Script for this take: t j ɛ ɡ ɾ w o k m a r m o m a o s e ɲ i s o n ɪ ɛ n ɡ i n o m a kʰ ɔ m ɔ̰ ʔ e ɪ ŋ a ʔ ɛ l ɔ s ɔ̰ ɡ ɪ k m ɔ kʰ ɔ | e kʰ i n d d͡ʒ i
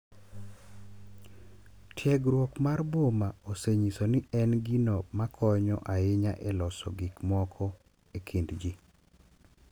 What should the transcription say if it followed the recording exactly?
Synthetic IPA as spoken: t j ɛ ɡ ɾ w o k m a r b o m a o s e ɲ i s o n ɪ ɛ n ɡ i n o m a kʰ ɔ ɲ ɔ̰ ʔ a ɪ ɲ a ʔ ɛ l ɔ s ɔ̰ ɡ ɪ k m ɔ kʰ ɔ | e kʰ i n d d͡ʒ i